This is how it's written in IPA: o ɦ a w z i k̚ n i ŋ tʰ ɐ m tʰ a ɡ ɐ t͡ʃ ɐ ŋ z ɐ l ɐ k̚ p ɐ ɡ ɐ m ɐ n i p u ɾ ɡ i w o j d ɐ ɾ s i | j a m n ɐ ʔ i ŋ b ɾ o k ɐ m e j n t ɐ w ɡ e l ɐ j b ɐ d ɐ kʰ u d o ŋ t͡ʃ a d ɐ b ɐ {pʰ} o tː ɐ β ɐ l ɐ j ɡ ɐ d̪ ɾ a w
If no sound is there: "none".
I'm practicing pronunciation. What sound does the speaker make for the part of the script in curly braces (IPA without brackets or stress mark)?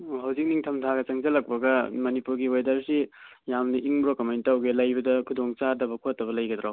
kʰ